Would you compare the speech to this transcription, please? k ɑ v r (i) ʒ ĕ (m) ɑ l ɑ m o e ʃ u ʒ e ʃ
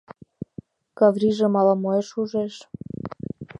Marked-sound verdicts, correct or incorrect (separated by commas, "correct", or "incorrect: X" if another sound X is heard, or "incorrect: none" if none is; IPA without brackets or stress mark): correct, correct